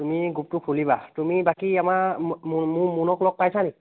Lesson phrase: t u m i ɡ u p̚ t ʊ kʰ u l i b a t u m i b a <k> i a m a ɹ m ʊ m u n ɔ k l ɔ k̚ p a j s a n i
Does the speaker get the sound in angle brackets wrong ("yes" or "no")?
no